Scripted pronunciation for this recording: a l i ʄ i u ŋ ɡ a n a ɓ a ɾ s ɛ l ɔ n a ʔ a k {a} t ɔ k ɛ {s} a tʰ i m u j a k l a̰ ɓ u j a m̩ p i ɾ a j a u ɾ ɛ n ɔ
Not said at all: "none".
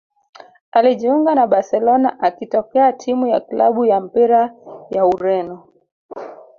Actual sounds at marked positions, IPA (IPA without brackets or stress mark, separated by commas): i, none